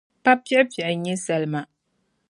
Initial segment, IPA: p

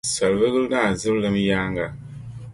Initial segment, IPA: s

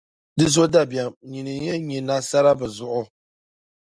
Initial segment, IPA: d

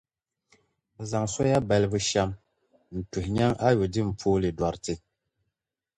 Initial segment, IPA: z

